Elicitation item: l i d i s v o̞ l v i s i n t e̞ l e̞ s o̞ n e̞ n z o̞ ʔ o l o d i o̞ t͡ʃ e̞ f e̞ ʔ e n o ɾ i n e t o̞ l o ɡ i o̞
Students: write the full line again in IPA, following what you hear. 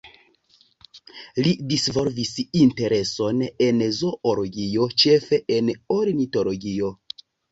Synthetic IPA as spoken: l i d i s v o̞ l v i s i n t e̞ ɾ e̞ s o̞ n e̞ n z o̞ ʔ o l o ɡ i o̞ t͡ʃ e̞ f e̞ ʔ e n o ɾ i n i t o̞ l o ɡ i o̞